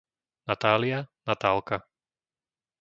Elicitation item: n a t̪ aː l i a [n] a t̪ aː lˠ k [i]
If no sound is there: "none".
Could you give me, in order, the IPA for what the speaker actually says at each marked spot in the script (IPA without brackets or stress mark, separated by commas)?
n, a